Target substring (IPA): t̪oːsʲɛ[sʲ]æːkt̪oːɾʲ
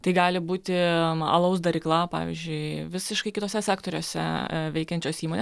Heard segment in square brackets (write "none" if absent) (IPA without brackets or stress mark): sʲ